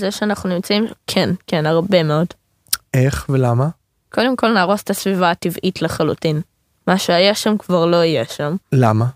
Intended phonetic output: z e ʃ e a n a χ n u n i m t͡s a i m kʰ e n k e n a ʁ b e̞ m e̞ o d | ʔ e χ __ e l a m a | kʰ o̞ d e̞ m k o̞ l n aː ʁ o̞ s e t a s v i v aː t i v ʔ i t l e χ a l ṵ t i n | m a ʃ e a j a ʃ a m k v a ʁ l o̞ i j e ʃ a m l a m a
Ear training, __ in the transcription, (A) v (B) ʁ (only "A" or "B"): A